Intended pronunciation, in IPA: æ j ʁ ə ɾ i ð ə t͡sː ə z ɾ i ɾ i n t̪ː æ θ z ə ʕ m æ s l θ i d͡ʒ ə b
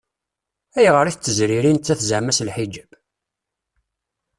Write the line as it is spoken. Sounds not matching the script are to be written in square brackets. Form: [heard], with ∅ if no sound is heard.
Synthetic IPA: æ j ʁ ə ɾ i [θ] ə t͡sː ə z ɾ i ɾ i n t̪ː æ θ z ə ʕ m æ s l [ħ] i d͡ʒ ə b